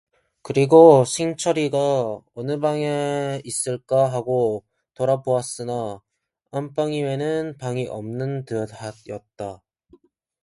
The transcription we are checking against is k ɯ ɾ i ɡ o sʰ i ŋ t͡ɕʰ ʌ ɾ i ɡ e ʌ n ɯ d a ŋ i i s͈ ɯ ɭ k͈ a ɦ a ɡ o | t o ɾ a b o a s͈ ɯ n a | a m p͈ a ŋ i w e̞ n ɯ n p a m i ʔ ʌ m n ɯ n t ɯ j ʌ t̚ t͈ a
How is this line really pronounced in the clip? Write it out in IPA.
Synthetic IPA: k ɯ ɾ i ɡ o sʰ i ŋ t͡ɕʰ ʌ ɾ i ɡ a ʌ n ɯ b a ŋ e i s͈ ɯ ɭ k͈ a ɦ a ɡ o | t o ɾ a b o a s͈ ɯ n a | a m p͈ a ŋ i w e̞ n ɯ n p a ŋ i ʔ ʌ m n ɯ n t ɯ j ʌ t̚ t͈ a

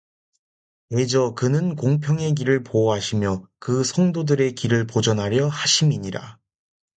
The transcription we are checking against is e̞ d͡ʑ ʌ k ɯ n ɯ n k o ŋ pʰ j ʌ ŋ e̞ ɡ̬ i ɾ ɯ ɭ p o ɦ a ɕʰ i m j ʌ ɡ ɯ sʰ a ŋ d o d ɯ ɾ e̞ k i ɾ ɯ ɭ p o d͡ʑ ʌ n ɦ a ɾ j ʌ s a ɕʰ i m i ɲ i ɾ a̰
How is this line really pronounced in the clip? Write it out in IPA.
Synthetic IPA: e̞ d͡ʑ ʌ k ɯ n ɯ n k o ŋ pʰ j ʌ ŋ e̞ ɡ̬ i ɾ ɯ ɭ p o ɦ a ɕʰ i m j ʌ k ɯ sʰ ʌ ŋ d o d ɯ ɾ e̞ k i ɾ ɯ ɭ p o d͡ʑ ʌ n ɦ a ɾ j ʌ h a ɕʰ i m i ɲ i ɾ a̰

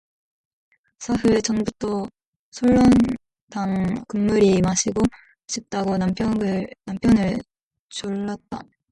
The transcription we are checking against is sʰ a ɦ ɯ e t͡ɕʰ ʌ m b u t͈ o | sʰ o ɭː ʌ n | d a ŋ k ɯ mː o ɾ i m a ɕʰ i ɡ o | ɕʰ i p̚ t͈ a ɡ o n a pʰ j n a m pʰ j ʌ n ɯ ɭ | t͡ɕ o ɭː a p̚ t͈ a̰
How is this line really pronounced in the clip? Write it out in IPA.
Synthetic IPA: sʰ a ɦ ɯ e t͡ɕ ʌ ŋ b u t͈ o | sʰ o ɭː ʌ n | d a ŋ k ɯ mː u ɾ i m a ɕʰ i ɡ o | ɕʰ i p̚ t͈ a ɡ o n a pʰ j n a m pʰ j ʌ n ɯ ɭ | t͡ɕ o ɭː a t̚ t͈ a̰

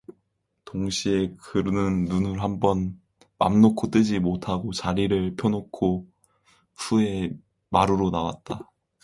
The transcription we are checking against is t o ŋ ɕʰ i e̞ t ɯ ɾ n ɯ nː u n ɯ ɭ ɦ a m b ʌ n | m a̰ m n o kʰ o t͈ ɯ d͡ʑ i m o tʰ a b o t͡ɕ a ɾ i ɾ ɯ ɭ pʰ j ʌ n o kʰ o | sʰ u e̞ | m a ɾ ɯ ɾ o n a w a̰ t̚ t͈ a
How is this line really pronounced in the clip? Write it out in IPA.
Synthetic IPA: t o ŋ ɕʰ i e̞ k ɯ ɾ n ɯ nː u n ɯ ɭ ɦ a m b ʌ n | m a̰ m n o kʰ o t͈ ɯ d͡ʑ i m o tʰ a ɡ o t͡ɕ a ɾ i ɾ ɯ ɭ pʰ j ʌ n o kʰ o | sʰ u e̞ | m a ɾ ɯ ɾ o n a w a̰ t̚ t͈ a

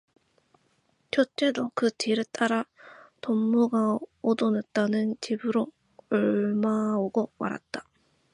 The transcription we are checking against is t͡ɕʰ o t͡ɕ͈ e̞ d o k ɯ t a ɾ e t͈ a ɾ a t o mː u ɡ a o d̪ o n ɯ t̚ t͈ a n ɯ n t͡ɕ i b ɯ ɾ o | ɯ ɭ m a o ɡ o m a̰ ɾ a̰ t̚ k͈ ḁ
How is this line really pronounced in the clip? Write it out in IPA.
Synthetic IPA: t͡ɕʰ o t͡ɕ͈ e̞ d o k ɯ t i ɾ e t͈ a ɾ a t o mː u ɡ a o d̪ o n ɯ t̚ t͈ a n ɯ n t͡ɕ i b ɯ ɾ o | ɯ ɭ m a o ɡ o m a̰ ɾ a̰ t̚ t͈ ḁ

